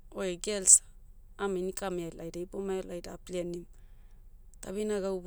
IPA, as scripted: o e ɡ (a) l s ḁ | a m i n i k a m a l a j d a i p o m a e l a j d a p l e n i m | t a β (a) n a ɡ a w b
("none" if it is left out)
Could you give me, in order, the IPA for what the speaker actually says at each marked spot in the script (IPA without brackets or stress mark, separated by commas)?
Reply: e, i